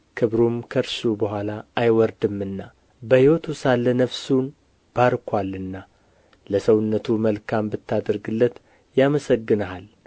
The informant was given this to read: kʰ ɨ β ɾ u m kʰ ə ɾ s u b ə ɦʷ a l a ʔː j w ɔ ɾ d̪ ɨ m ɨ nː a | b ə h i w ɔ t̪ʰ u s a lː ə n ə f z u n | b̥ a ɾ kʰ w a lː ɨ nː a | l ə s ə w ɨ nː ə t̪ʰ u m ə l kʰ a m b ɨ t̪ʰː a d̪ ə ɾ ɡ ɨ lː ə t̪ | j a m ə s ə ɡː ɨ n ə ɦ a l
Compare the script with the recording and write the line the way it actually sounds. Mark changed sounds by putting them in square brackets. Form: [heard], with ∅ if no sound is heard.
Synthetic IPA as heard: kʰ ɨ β ɾ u m kʰ ə ɾ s u b ə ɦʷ a l a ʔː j w ɔ ɾ d̪ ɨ m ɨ nː a | b ə h i w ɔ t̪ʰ u s a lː ə n ə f [s] u n | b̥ a ɾ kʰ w a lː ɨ nː a | l ə s ə w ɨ nː ə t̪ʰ u m ə l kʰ a m b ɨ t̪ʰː a d̪ ə ɾ ɡ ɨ lː ə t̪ | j a m ə s ə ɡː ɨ n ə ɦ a l